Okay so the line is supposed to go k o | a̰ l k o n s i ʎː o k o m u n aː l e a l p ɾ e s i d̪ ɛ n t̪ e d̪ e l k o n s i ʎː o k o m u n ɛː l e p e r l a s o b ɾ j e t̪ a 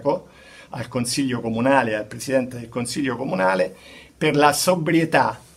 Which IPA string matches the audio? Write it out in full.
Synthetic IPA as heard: k o | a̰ l k o n s i ʎː o k o m u n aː l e a l p ɾ e s i d̪ ɛ n t̪ e d̪ e l k o n s i ʎː o k o m u n aː l e p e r l a s o b ɾ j e t̪ a